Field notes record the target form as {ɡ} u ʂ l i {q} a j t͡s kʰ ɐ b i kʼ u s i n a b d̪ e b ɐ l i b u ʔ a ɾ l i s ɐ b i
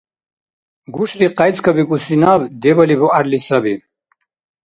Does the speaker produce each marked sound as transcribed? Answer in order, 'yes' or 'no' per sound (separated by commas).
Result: yes, yes